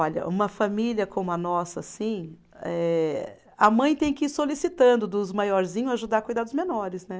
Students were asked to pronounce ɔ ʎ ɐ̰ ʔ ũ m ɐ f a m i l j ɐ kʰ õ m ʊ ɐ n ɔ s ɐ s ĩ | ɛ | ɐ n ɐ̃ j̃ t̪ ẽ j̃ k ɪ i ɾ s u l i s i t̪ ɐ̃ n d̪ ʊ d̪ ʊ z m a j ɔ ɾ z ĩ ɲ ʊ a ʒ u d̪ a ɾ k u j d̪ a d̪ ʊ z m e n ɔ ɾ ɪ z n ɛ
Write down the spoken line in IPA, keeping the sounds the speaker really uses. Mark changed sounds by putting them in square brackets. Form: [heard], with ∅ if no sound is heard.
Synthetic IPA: ɔ ʎ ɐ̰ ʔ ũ m ɐ f a m i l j ɐ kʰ õ m ʊ ɐ n ɔ s ɐ s ĩ | ɛ | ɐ [m] ɐ̃ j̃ t̪ ẽ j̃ k ɪ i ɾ s [o] l i s i t̪ ɐ̃ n d̪ ʊ d̪ ʊ z m a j ɔ ɾ z ĩ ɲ ʊ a ʒ u d̪ a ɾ k u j d̪ a d̪ ʊ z m e n ɔ ɾ ɪ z n ɛ